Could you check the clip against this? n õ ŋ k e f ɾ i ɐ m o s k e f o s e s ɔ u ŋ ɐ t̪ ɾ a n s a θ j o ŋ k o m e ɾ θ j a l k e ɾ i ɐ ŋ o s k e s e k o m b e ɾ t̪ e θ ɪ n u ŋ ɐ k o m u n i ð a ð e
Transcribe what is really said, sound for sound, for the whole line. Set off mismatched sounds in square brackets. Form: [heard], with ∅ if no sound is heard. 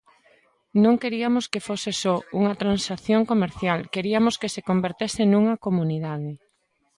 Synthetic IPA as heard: n õ ŋ k e [∅] ɾ i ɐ m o s k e f o s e s ɔ u ŋ ɐ t̪ ɾ a n s a θ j o ŋ k o m e ɾ θ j a l k e ɾ i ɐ [m] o s k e s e k o m b e ɾ t̪ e [s] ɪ n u ŋ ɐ k o m u n i ð a ð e